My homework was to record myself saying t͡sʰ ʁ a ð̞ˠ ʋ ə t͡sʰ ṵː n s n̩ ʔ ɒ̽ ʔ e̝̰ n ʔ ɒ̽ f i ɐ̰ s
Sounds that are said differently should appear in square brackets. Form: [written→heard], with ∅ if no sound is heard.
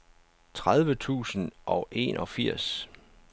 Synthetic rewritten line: t͡sʰ ʁ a ð̞ˠ ʋ ə t͡sʰ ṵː [n→∅] s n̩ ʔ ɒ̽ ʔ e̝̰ n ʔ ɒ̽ f i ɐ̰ s